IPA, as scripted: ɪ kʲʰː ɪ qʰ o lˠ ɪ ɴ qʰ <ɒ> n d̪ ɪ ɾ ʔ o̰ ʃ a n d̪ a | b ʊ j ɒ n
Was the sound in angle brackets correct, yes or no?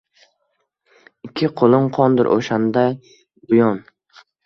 yes